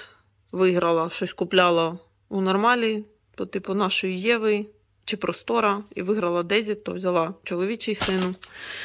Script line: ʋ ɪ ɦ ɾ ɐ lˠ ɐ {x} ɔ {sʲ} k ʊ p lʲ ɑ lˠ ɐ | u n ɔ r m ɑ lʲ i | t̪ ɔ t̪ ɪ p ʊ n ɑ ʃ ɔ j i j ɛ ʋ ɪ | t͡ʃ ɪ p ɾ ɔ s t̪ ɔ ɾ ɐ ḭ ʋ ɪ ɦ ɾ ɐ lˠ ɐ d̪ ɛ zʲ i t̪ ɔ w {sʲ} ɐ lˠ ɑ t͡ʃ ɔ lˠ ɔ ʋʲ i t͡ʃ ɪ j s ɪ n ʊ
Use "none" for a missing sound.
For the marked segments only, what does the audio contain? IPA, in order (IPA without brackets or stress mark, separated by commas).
ʃ, sʲ, zʲ